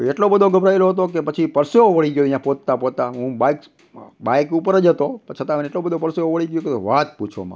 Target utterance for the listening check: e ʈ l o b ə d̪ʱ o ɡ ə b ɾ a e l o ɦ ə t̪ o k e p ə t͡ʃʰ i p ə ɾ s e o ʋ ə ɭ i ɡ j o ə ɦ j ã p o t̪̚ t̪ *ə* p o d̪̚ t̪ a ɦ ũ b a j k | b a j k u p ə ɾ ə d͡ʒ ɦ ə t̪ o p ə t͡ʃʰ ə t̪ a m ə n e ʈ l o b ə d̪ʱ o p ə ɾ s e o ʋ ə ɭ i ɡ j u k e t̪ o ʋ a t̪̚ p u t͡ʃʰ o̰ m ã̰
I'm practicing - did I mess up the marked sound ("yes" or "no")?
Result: yes